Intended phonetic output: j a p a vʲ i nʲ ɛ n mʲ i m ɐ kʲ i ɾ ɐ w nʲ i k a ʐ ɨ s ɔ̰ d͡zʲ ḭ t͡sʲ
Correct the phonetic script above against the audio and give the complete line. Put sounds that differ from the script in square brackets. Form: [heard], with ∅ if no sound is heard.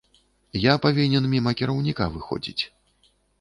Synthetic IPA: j a p a vʲ i nʲ ɛ n mʲ i m ɐ kʲ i ɾ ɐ w nʲ i k a [v] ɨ [x] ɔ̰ d͡zʲ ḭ t͡sʲ